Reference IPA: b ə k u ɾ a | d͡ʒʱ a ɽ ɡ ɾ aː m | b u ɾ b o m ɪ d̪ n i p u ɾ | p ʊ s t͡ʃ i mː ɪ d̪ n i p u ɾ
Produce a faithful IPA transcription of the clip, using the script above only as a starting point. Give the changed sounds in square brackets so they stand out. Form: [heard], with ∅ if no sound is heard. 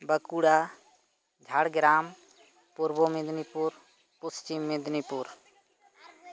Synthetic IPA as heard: b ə k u [ɽ] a | d͡ʒʱ a ɽ ɡ ɾ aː m | [p] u ɾ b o m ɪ d̪ n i p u ɾ | p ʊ s t͡ʃ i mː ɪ d̪ n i p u ɾ